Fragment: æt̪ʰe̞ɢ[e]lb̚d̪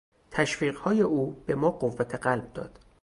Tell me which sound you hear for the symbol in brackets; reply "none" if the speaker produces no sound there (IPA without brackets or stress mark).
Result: æ